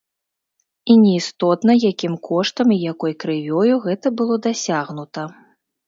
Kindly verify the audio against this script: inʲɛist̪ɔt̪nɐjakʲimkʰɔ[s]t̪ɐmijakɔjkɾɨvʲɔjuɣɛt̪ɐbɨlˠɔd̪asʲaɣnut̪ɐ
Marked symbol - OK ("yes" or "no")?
no